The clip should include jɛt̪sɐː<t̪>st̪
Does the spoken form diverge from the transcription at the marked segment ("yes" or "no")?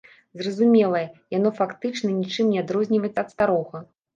no